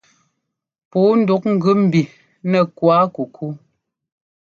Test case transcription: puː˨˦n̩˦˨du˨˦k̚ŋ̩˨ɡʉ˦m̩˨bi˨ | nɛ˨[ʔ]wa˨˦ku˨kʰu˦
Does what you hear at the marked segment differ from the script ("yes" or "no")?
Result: yes